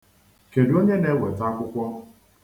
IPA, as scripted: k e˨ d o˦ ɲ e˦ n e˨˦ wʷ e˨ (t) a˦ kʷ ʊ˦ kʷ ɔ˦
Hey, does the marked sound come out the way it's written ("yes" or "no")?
yes